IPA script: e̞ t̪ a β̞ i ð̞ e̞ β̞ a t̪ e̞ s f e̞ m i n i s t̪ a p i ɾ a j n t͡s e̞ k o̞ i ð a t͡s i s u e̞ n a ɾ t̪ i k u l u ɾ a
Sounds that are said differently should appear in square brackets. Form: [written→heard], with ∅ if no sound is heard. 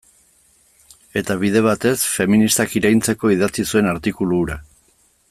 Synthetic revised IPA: e̞ t̪ a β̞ i ð̞ e̞ β̞ a t̪ e̞ s f e̞ m i n i s t̪ a [p→k] i ɾ a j n t͡s e̞ k o̞ i ð a t͡s i s u e̞ n a ɾ t̪ i k u l u ɾ a